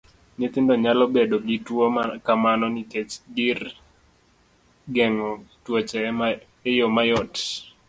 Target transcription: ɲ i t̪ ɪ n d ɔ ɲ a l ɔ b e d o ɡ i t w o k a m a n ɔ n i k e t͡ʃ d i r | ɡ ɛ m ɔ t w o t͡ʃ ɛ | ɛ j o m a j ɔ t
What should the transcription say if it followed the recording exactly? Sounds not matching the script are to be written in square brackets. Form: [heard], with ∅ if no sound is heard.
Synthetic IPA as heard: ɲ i t̪ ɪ n d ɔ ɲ a l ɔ b e d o ɡ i t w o k a m a n ɔ n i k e t͡ʃ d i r | ɡ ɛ [ŋ] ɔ t w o t͡ʃ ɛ | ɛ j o m a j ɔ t